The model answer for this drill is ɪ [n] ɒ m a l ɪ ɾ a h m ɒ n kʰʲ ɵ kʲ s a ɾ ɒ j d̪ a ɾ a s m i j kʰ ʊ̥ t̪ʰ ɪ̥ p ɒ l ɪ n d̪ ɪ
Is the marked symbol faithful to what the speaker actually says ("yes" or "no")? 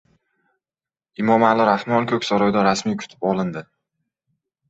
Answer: no